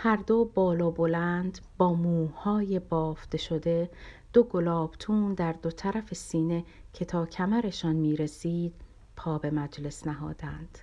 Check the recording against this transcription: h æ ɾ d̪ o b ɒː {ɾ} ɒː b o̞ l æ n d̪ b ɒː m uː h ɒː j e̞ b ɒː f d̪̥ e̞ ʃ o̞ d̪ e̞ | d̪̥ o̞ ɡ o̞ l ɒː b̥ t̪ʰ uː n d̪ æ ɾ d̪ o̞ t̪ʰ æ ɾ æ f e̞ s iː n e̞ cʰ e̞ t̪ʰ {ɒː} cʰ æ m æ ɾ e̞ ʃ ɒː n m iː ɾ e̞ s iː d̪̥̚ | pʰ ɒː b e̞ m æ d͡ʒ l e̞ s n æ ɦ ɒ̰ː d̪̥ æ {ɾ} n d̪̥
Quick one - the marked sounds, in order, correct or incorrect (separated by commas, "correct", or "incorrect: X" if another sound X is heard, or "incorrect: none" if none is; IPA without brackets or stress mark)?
incorrect: l, correct, incorrect: none